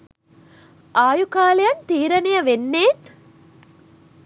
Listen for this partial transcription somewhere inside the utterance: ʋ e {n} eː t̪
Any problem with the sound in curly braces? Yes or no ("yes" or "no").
yes